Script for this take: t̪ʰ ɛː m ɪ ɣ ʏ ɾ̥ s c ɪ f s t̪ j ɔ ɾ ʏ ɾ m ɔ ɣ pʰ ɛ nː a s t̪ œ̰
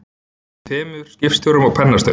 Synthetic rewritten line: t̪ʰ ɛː m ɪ ð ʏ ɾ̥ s c ɪ f s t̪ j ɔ ɾ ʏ m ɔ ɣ pʰ ɛ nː a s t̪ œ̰